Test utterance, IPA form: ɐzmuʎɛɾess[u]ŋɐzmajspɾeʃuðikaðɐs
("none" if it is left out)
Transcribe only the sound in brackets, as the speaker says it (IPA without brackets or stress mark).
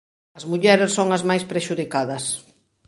o